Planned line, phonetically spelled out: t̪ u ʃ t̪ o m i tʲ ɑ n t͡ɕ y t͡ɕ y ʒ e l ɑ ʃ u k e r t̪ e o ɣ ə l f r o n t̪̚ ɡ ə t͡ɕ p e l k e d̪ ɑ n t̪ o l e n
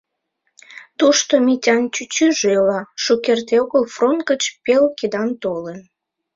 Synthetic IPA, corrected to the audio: t̪ u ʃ t̪ o m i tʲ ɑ n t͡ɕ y t͡ɕ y ʒ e l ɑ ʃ u k e r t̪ e o ɣ ə l f r o n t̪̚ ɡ ə t͡ɕ p e l k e d̪ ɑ n t̪ o l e n